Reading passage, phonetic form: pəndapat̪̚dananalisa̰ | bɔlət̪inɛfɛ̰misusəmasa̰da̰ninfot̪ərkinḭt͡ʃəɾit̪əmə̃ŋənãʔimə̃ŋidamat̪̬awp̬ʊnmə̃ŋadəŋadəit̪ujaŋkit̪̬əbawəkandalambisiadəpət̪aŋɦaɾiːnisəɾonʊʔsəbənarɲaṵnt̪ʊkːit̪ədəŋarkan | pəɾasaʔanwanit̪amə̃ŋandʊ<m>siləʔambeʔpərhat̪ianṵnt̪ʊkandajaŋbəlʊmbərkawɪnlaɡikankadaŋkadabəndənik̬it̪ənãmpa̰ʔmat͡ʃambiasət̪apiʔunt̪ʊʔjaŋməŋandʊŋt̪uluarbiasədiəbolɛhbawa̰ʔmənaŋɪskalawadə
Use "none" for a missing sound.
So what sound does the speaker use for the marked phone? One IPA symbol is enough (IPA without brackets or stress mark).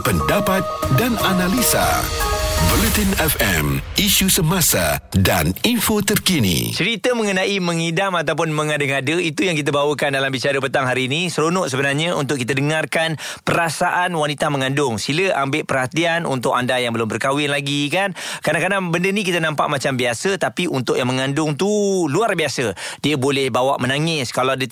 ŋ